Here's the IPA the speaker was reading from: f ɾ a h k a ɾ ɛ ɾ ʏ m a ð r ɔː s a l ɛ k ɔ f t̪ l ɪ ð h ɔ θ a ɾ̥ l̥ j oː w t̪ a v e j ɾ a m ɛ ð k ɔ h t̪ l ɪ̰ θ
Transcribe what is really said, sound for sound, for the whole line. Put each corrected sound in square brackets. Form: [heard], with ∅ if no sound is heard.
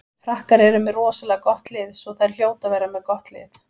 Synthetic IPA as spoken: f ɾ a h k a ɾ ɛ ɾ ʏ m [ɛ] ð r ɔː s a l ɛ k ɔ [h] t̪ l ɪ ð [s] ɔ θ a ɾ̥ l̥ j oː w t̪ a v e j ɾ a m ɛ ð k ɔ h t̪ l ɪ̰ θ